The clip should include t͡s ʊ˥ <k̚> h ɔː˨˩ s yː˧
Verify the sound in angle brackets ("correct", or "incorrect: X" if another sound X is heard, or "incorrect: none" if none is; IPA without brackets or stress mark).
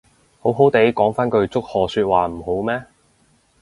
correct